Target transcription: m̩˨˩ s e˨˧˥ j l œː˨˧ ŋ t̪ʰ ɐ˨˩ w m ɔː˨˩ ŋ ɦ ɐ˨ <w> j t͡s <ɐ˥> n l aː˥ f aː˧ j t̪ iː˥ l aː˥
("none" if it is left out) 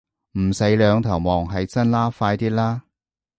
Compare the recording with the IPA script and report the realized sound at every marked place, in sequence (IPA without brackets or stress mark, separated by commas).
none, ɐ˥